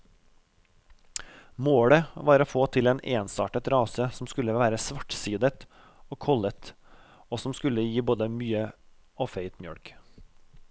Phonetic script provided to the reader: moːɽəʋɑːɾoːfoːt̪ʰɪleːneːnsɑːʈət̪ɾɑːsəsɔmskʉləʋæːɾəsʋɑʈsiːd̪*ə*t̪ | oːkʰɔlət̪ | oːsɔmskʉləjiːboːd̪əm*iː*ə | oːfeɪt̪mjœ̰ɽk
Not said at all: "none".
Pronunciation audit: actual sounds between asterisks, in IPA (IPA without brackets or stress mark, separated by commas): ə, yː